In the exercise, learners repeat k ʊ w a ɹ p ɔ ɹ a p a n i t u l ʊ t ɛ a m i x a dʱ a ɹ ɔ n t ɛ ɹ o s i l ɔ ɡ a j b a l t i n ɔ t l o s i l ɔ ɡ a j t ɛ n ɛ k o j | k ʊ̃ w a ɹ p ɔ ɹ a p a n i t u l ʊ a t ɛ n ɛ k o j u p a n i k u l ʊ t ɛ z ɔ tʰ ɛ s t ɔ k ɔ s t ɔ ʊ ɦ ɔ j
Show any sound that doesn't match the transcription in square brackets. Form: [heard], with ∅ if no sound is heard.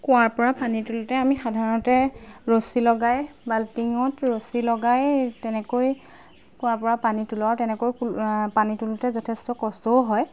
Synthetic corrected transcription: k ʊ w a ɹ p ɔ ɹ a p a n i t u l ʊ t ɛ a m i x a dʱ a ɹ ɔ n t ɛ ɹ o s i l ɔ ɡ a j b a l t i [ŋ] ɔ t [ɹ] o s i l ɔ ɡ a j t ɛ n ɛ k o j | k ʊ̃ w a ɹ p ɔ ɹ a p a n i t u l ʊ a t ɛ n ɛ k o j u p a n i [t] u l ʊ t ɛ z ɔ tʰ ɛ s t ɔ k ɔ s t ɔ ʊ ɦ ɔ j